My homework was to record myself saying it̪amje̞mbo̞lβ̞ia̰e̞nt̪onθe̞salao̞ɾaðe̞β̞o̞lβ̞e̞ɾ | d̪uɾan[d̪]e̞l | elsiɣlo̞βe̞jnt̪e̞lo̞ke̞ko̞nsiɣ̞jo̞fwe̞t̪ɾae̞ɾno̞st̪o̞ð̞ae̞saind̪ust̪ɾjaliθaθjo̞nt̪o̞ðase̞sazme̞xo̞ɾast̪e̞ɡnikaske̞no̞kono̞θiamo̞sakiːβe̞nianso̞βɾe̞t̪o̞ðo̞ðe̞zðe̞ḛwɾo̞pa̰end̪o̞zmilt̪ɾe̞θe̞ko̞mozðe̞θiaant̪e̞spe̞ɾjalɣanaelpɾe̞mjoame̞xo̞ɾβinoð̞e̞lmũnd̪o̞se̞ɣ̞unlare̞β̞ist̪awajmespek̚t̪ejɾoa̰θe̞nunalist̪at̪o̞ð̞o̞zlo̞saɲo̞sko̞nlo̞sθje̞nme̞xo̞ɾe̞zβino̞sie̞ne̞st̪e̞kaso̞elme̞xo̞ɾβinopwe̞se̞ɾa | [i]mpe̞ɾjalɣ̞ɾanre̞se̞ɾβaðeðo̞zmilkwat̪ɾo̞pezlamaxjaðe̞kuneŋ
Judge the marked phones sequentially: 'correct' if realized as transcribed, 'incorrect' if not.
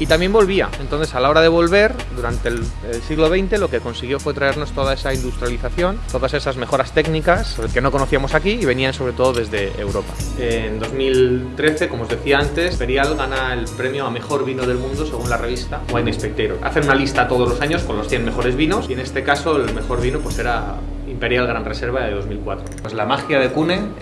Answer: incorrect: t̪, correct

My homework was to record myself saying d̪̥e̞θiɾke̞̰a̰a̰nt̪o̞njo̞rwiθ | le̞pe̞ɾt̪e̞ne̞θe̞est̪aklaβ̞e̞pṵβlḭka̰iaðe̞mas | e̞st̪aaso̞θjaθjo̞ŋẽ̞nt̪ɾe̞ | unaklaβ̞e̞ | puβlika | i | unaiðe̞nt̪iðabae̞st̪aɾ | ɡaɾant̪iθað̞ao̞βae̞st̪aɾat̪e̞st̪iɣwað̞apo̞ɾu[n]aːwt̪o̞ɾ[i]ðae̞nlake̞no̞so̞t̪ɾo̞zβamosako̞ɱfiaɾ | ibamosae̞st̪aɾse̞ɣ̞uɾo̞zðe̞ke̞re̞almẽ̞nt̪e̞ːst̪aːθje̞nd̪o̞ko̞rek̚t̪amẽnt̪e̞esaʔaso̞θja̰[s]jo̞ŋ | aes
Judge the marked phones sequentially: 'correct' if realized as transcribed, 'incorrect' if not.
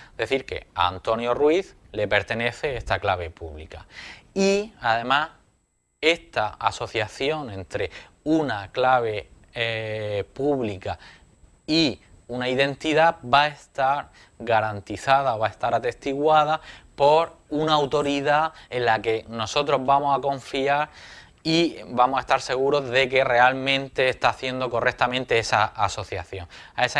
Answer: correct, correct, incorrect: θ

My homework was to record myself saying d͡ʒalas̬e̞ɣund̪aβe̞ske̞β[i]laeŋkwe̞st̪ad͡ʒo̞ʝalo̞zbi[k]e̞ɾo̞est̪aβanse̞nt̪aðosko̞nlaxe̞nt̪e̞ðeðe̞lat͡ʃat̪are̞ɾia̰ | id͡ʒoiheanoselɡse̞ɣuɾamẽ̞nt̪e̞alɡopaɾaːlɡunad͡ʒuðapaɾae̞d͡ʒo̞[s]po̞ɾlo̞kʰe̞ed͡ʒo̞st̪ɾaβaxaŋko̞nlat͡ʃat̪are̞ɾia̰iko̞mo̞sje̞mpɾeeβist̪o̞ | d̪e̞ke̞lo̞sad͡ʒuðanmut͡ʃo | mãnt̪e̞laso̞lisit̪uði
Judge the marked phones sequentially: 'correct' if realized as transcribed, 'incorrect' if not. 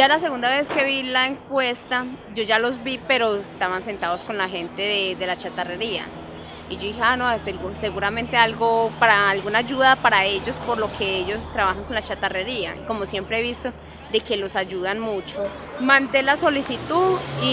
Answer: correct, incorrect: p, correct

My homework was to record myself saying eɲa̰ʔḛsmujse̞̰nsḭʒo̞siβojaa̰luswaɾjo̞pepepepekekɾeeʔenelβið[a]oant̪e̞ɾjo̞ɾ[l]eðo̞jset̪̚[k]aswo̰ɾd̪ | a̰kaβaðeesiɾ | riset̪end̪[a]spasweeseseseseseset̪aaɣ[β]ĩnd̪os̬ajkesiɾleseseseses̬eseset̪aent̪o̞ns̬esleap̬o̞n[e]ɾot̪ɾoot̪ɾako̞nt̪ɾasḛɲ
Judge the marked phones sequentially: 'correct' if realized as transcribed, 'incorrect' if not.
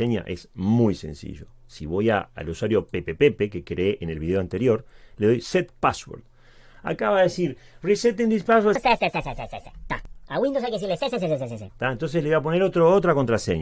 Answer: incorrect: e, correct, incorrect: p, incorrect: i, incorrect: w, correct

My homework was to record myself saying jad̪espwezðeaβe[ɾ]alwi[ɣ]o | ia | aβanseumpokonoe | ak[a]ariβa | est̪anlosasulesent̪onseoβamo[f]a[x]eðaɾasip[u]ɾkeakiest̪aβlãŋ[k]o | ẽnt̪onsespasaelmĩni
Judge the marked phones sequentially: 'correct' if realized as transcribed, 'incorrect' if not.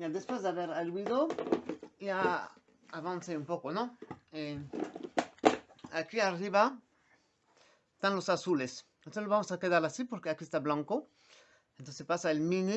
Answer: correct, incorrect: ð, incorrect: i, incorrect: s, incorrect: k, incorrect: o, correct

